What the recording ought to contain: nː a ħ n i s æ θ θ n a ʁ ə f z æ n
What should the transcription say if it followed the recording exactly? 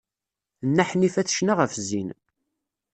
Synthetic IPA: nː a ħ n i f æ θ ʃ n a ʁ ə f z i n